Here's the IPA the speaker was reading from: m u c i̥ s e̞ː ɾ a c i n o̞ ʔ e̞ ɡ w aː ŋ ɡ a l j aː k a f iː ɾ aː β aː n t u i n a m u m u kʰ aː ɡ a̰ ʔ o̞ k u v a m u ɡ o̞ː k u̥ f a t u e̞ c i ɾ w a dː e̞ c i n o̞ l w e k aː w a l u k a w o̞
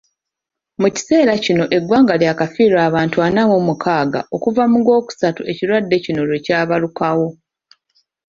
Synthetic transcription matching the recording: m u c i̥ s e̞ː ɾ a c i n o̞ ʔ e̞ ɡ w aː ŋ ɡ a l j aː k a f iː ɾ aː β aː n t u a n a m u m u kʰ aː ɡ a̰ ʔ o̞ k u v a m u ɡ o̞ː k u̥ s a t u e̞ c i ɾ w a dː e̞ c i n o̞ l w e c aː β a l u k a w o̞